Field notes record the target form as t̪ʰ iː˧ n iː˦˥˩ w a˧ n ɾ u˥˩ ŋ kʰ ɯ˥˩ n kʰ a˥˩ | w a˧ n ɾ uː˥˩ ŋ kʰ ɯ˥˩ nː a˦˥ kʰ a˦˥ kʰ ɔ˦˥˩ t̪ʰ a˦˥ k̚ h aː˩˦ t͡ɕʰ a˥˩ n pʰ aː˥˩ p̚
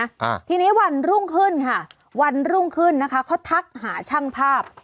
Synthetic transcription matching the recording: t̪ʰ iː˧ n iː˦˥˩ w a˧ n ɾ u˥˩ ŋ kʰ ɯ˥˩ n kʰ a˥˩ | w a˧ n ɾ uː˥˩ ŋ kʰ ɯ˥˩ nː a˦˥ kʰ a˦˥ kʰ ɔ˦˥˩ t̪ʰ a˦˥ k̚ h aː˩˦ t͡ɕʰ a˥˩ ŋ pʰ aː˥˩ p̚